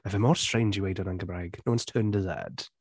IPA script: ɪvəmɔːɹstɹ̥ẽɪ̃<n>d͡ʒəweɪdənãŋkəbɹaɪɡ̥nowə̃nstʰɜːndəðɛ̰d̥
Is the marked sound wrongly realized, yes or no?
no